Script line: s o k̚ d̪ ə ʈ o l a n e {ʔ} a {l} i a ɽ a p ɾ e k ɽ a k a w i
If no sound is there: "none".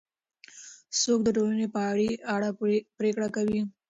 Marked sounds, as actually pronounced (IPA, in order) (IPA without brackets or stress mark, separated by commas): p, ɽ